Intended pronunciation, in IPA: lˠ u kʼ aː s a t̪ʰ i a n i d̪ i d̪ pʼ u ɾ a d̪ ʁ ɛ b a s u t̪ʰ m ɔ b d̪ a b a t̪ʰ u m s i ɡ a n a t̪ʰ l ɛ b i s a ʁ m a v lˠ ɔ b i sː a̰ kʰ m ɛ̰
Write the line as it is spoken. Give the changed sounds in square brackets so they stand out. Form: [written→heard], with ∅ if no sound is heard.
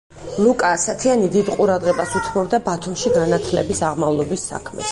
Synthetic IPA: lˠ u kʼ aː s a t̪ʰ i a n i d̪ i d̪ [pʼ→qʼ] u ɾ a d̪ ʁ ɛ b a s u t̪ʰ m ɔ b d̪ a b a t̪ʰ u m [s→ʃ] i ɡ a n a t̪ʰ l ɛ b i s a ʁ m a v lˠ ɔ b i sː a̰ kʰ m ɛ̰